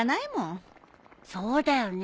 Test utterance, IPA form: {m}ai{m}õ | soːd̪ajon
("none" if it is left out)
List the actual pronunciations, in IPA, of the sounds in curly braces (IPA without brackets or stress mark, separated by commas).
n, m